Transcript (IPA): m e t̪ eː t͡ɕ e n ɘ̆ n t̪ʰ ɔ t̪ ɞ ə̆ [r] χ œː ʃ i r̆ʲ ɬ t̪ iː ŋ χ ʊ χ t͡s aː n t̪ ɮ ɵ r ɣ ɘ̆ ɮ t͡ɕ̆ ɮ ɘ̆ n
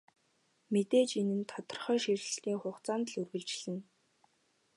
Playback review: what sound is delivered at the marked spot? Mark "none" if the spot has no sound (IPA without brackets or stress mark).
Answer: r